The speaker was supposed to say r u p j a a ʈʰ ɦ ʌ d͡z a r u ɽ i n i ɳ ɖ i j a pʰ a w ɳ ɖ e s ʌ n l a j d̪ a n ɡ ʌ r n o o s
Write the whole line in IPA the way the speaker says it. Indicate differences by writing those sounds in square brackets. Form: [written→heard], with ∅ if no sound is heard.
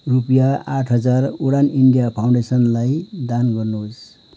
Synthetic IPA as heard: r u p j a a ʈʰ ɦ ʌ d͡z a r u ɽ [i→a] n i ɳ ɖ i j a pʰ a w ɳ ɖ e s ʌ n l a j d̪ a n ɡ ʌ r n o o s